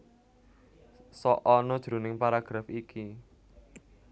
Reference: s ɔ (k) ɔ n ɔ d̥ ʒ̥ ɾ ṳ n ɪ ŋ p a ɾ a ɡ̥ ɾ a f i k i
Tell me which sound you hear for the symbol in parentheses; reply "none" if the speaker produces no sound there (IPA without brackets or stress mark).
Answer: ʔ